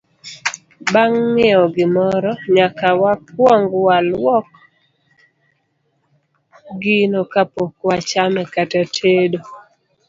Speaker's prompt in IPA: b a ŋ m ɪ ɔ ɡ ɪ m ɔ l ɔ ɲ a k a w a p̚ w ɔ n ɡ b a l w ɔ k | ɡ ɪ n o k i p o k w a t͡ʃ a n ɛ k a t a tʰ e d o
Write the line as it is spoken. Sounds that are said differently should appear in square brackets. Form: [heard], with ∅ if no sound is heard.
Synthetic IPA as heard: b a ŋ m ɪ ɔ ɡ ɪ m ɔ [ɾ] ɔ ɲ a k a w a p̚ w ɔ [ŋ] ɡ [w] a l w ɔ k | ɡ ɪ n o k [a] p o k w a t͡ʃ a [m] ɛ k a t a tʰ e d o